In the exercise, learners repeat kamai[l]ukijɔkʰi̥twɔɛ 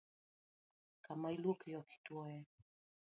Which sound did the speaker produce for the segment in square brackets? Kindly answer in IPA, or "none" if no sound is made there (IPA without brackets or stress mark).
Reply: l